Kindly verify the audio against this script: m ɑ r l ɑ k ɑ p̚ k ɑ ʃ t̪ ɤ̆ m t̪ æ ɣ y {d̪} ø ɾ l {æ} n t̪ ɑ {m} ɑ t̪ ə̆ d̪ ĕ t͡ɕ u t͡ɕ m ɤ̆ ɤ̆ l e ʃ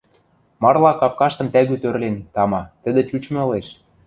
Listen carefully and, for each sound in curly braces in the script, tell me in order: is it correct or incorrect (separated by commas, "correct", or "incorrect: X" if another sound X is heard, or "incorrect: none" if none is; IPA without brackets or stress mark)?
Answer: incorrect: t̪, incorrect: e, correct